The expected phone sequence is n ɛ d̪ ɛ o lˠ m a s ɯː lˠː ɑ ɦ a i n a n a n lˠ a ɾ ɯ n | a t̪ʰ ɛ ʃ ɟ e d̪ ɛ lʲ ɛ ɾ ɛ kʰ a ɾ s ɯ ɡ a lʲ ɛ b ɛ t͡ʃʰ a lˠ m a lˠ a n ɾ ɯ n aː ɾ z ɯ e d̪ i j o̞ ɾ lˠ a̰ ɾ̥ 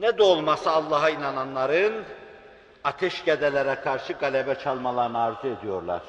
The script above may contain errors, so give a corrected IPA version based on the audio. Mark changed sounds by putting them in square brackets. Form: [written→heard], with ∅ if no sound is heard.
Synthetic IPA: n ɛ d̪ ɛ o lˠ m a s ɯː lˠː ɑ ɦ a i n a n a n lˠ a ɾ ɯ n | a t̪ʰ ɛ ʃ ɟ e d̪ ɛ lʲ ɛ ɾ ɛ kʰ a ɾ [s→ʃ] ɯ ɡ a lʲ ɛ b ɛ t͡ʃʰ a lˠ m a lˠ a [n→∅] ɾ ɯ n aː ɾ z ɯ e d̪ i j o̞ ɾ lˠ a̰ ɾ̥